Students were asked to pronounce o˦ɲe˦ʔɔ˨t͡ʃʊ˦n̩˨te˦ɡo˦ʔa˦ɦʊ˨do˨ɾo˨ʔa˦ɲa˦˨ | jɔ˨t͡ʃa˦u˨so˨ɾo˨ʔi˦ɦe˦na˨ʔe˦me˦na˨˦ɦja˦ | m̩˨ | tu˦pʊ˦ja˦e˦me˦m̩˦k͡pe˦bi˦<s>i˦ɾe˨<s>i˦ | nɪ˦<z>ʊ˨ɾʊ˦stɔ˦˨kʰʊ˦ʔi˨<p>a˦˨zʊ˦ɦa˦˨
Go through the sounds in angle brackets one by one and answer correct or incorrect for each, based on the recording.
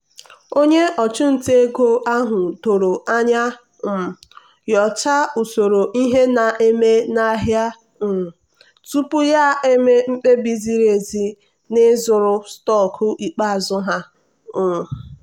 incorrect: z, incorrect: z, correct, incorrect: k͡p

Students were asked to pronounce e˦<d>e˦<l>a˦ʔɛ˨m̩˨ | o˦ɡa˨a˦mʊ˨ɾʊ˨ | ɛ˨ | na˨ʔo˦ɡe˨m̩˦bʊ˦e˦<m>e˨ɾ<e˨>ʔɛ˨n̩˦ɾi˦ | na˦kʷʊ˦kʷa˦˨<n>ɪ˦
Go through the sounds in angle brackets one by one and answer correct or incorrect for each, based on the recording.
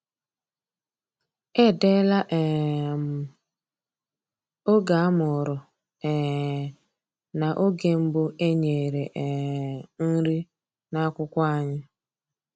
correct, correct, incorrect: ɲ, correct, incorrect: ɲ

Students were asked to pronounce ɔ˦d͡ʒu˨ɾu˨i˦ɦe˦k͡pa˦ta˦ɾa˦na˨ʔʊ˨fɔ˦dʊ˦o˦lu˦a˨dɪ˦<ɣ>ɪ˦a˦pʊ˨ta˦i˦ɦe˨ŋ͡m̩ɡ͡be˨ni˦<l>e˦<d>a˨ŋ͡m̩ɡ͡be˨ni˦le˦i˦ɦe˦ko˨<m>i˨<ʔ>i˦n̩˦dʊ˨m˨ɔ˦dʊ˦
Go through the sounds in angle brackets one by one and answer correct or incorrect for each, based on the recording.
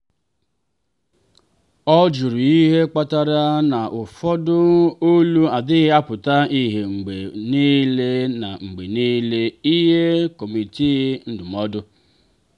correct, correct, incorrect: n, correct, incorrect: t

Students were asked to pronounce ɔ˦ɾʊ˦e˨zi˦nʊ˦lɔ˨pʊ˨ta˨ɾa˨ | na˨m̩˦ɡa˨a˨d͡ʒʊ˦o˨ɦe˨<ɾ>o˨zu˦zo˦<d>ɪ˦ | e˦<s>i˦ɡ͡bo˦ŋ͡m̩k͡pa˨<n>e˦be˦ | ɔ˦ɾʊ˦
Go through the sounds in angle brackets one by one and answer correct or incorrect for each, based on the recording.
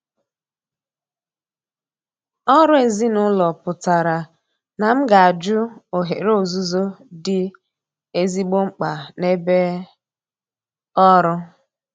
correct, correct, incorrect: z, correct

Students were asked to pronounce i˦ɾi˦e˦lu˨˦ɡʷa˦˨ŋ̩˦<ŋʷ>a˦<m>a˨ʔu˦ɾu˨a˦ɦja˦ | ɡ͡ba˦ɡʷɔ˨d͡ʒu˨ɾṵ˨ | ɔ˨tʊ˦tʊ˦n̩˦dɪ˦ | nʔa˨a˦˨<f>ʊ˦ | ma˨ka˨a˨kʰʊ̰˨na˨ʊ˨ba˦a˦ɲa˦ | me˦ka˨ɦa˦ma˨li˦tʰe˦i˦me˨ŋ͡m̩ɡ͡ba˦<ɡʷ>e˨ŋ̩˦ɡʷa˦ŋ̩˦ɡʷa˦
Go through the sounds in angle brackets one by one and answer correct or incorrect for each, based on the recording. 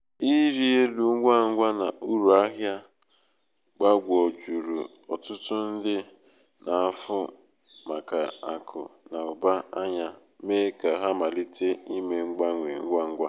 incorrect: ɡʷ, incorrect: n, correct, incorrect: ŋʷ

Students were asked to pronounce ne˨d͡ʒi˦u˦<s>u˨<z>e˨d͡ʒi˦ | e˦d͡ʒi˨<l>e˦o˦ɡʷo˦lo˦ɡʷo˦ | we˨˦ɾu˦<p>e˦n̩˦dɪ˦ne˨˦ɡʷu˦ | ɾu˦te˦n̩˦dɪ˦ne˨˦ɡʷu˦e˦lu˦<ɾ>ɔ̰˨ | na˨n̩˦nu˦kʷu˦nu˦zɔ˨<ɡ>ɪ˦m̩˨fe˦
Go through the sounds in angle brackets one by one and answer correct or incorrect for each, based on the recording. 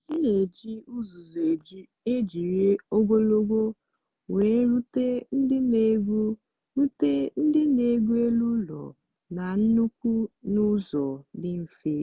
incorrect: z, correct, incorrect: ɾ, incorrect: t, incorrect: l, incorrect: d

